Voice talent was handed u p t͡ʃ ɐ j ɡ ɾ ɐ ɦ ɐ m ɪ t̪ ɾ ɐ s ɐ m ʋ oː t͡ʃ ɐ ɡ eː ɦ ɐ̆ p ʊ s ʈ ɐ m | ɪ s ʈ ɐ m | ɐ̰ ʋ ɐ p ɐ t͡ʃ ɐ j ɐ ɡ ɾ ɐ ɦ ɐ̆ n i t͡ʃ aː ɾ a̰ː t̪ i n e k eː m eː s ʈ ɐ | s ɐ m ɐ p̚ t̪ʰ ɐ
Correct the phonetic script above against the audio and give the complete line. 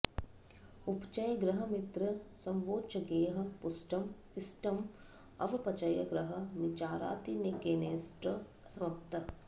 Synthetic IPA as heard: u p t͡ʃ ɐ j ɡ ɾ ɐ ɦ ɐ m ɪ t̪ ɾ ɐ s ɐ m ʋ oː t͡ʃ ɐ ɡ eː ɦ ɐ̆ p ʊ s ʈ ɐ m | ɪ s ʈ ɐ m | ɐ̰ ʋ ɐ p ɐ t͡ʃ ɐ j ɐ ɡ ɾ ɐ ɦ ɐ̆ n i t͡ʃ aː ɾ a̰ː t̪ i n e k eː n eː s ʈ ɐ | s ɐ m ɐ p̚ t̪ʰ ɐ